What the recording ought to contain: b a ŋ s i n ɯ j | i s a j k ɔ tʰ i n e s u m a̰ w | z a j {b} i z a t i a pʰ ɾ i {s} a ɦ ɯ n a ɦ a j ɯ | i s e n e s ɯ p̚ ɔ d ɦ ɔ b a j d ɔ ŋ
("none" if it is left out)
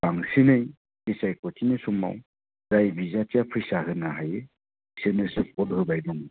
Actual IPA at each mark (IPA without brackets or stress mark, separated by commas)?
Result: b, s